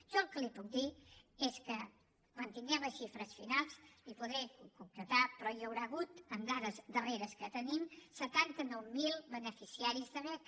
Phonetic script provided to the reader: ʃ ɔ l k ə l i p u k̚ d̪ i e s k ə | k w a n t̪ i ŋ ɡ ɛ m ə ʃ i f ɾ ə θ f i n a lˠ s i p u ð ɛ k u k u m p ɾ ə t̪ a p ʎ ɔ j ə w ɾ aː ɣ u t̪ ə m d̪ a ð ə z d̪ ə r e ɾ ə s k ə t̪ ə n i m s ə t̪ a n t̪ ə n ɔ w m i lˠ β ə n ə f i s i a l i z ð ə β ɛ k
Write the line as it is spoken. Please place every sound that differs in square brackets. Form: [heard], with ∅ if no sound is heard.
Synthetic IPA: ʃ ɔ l k ə l i p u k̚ d̪ i e s k ə | k w a n t̪ i ŋ ɡ ɛ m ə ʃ i f ɾ ə [s] f i n a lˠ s i p u ð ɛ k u k u m p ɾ ə t̪ a p [ɾ] ɔ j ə w ɾ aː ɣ u t̪ ə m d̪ a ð ə z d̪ ə r e ɾ ə s k ə t̪ ə n i m s ə t̪ a n t̪ ə n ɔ w m i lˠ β ə n ə f i s i a [ɾ] i z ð ə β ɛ k

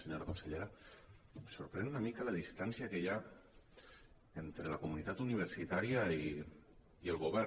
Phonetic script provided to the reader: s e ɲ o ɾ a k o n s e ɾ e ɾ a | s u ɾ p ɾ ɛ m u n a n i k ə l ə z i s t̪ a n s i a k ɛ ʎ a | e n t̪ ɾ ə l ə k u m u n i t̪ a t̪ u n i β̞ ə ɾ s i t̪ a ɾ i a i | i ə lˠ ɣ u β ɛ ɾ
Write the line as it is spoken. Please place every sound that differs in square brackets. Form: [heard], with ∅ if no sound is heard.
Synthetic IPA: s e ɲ o ɾ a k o n s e [ʎ] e ɾ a | s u ɾ p ɾ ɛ [n] u n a [m] i k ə l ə [ð] i s t̪ a n s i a k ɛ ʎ a | e n t̪ ɾ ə l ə k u m u n i t̪ a t̪ u n i β̞ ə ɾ s i t̪ a ɾ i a i | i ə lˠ ɣ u β ɛ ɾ

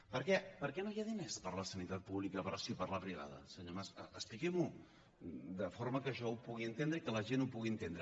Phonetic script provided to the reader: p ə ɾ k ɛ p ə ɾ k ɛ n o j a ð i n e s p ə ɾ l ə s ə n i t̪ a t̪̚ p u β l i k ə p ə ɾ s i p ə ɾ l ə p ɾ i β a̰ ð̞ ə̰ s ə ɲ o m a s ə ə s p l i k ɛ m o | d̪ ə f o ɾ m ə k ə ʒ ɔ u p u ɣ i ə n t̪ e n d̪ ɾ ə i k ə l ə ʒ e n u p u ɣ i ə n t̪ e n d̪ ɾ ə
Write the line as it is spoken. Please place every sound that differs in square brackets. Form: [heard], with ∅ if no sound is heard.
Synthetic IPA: p ə ɾ k ɛ p ə ɾ k ɛ n o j a ð i n e s p ə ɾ l ə s ə n i t̪ a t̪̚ p u β l i k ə p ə ɾ s i p ə ɾ l ə p ɾ i β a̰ ð̞ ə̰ s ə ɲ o m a s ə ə s p l i k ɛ m [u] | d̪ ə f o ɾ m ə k ə ʒ ɔ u p u ɣ i ə n t̪ e n d̪ ɾ ə i k ə l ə ʒ e n u p u ɣ i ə n t̪ e n d̪ ɾ ə

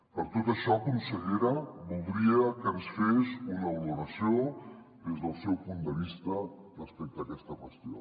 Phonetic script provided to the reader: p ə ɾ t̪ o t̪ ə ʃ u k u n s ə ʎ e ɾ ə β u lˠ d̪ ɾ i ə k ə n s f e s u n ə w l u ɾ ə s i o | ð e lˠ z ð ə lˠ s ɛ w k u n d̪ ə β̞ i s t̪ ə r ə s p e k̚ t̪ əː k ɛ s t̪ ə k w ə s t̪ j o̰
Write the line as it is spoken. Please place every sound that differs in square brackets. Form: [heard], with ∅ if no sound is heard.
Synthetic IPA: p ə ɾ t̪ o t̪ ə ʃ [ɔ] k u n s ə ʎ e ɾ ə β u lˠ d̪ ɾ i ə k ə n s f e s u n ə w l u ɾ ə s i o | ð e [∅] z ð ə lˠ s ɛ w [p] u n d̪ ə β̞ i s t̪ ə r ə s p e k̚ t̪ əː k ɛ s t̪ ə k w ə s t̪ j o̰

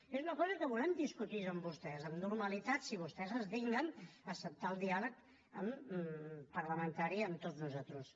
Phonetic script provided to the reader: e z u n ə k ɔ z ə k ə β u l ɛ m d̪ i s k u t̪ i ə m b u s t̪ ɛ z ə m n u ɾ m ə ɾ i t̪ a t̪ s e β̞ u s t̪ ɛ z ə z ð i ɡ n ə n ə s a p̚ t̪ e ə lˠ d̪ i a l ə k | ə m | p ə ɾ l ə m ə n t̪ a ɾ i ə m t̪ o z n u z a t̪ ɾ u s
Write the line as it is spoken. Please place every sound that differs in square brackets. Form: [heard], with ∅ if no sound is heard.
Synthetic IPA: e z u n ə k ɔ z ə k ə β u l ɛ m d̪ i s k u t̪ i ə m b u s t̪ ɛ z ə m n u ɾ m ə [l] i t̪ a t̪ s [i] β̞ u s t̪ ɛ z ə z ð i ɡ n ə n ə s [ə] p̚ t̪ [a] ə lˠ d̪ i a l ə k | ə m | p ə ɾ l ə m ə n t̪ a ɾ i ə m t̪ o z n u z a t̪ ɾ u s

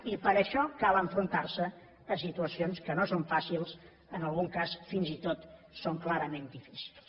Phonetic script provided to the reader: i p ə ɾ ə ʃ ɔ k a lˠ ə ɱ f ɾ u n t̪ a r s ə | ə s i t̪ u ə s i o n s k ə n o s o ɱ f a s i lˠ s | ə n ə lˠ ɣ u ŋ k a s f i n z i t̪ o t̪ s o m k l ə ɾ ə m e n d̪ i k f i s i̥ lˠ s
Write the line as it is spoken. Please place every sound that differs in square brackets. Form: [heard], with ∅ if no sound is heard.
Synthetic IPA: i p ə ɾ ə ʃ ɔ k a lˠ ə ɱ f ɾ u n t̪ a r s ə | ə s i t̪ u ə s i o n s k ə n o s o ɱ f a s i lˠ s | ə n ə lˠ ɣ u ŋ k a s f i n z i t̪ o t̪ s o [ŋ] k l [a] ɾ ə m e n d̪ i [∅] f i s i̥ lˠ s

